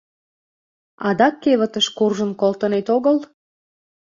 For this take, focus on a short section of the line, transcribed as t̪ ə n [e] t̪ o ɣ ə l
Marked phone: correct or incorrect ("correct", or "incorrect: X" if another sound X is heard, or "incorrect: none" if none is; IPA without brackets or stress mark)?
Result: correct